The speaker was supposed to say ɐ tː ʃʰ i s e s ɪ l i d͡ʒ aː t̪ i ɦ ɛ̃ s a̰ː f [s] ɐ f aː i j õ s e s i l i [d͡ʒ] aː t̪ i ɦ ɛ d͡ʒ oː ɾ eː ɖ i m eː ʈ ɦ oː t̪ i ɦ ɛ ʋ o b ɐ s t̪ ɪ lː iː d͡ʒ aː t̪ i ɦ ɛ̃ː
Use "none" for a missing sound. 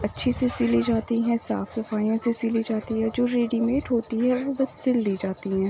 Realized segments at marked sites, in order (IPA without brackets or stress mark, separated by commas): s, d͡ʒ